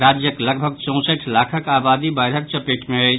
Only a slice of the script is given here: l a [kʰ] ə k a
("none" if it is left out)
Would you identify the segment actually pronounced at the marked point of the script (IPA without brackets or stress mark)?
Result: kʰ